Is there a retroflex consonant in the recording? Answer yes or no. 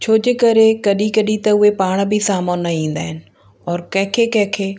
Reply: yes